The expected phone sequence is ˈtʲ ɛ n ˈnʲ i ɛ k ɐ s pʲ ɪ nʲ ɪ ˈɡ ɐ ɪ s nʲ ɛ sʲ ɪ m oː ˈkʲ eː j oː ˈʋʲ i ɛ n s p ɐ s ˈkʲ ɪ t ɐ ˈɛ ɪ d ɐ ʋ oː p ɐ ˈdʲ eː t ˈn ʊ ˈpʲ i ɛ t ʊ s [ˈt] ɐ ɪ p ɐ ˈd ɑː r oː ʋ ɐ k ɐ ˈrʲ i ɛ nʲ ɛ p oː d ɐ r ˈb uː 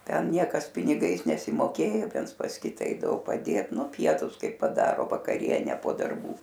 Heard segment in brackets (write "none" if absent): k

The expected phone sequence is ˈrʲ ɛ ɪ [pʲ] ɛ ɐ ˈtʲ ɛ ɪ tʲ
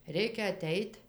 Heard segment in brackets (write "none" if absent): kʲ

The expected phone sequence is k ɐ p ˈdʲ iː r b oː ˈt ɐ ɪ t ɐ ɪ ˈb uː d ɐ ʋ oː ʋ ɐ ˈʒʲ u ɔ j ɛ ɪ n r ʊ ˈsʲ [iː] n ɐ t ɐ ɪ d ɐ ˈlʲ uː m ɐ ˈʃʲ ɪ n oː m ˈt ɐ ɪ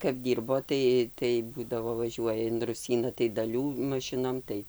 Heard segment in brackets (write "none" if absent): iː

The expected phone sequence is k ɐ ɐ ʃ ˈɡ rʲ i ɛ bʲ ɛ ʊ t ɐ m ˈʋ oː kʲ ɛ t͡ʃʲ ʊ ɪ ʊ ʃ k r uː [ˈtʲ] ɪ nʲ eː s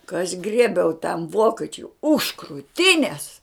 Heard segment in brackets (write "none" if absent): tʲ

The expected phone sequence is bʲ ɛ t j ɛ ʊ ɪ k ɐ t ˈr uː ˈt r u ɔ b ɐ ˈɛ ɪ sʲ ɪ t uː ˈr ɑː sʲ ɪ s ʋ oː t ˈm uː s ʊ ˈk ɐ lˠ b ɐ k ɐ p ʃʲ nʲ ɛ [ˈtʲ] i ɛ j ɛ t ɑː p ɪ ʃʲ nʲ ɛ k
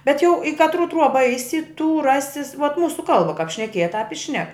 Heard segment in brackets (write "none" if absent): kʲ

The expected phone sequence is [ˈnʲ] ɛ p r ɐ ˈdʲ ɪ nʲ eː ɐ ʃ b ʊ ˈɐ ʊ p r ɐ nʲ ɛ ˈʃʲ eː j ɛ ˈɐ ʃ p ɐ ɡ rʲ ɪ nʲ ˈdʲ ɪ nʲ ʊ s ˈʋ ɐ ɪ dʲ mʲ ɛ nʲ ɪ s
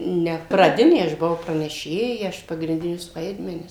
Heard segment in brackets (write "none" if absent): nʲ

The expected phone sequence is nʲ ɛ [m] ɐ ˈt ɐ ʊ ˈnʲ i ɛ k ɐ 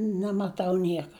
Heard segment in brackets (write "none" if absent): m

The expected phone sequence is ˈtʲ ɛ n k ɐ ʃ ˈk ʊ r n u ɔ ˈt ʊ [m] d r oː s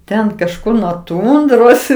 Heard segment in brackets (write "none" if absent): n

